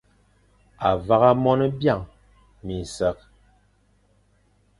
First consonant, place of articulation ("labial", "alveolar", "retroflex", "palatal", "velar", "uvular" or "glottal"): labial